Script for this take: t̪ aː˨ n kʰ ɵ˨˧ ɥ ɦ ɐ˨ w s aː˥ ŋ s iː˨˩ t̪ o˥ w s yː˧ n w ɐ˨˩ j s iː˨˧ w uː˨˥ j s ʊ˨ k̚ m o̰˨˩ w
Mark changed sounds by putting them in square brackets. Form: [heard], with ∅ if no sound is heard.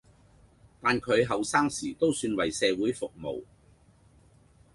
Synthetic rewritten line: t̪ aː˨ n kʰ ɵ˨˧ ɥ ɦ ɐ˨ w s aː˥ ŋ s iː˨˩ t̪ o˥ w s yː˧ n w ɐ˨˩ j s [ɛː˨˧] w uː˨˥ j [f] ʊ˨ k̚ m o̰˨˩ w